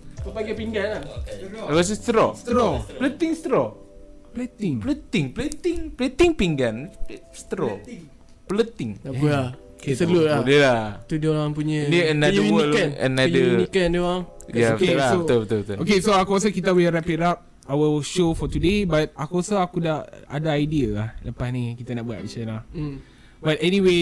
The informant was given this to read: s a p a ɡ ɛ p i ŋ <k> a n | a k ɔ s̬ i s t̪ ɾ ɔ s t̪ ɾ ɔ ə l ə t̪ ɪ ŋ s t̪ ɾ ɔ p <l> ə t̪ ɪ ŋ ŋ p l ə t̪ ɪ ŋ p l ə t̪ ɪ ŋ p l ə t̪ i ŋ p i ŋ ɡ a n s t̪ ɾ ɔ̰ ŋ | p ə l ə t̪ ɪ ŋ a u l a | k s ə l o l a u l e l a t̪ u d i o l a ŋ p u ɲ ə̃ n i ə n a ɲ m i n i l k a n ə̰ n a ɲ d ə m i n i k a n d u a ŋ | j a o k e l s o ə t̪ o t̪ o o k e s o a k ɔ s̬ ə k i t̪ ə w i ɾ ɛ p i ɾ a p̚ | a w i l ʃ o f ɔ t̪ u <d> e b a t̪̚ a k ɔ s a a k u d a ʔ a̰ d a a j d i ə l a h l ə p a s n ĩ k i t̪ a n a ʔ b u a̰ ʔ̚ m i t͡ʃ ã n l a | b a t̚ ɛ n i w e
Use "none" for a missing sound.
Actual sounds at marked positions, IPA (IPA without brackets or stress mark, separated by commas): ɡ, l, d